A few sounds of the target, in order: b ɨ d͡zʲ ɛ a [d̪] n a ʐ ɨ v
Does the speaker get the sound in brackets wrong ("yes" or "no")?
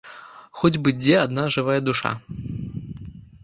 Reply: no